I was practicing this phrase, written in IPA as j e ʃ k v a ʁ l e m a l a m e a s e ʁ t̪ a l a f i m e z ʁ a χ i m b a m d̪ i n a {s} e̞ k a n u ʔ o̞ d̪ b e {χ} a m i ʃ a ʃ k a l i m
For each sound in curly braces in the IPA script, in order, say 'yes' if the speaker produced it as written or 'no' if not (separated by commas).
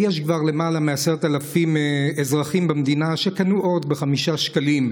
no, yes